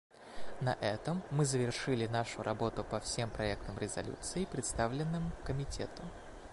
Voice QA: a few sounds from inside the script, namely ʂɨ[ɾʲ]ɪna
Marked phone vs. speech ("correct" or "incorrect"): incorrect